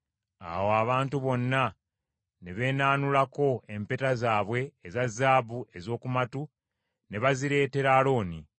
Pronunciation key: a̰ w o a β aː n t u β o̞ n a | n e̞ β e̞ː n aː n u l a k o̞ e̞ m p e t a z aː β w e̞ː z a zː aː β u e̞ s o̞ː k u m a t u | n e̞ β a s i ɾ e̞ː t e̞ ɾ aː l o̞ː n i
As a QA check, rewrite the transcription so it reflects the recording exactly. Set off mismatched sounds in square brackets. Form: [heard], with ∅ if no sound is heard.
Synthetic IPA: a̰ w o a β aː n t u β o̞ [nː] a | n e̞ β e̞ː n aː n u l a k o̞ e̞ m p e t a z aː β w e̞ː z a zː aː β u e̞ [z] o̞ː k u m a t u | n e̞ β a [z] i ɾ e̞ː t e̞ ɾ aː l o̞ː n i